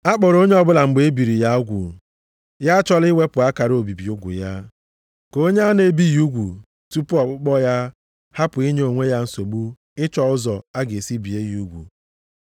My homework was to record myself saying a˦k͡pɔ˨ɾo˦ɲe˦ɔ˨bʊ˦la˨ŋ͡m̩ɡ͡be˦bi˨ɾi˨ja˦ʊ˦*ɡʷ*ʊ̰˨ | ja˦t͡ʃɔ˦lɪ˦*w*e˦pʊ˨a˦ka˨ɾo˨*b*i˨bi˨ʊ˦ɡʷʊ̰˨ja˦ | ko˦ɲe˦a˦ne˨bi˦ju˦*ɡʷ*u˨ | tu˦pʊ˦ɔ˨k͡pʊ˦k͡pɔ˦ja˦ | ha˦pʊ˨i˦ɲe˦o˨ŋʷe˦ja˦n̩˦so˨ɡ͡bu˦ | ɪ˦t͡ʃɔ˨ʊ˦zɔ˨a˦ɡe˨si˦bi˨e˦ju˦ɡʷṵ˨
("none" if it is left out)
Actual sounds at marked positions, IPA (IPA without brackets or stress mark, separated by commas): ɡʷ, w, b, ɡʷ